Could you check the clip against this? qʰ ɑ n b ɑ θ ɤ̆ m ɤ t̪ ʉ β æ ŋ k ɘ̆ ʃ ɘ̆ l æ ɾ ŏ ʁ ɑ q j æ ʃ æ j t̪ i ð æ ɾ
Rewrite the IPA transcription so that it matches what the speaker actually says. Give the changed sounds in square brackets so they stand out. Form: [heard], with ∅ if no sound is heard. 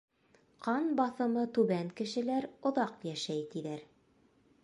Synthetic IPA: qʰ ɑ n b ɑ θ ɤ̆ m ɤ t̪ ʉ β æ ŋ k ɘ̆ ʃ ɘ̆ l æ ɾ ŏ [ð] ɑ q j æ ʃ æ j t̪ i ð æ ɾ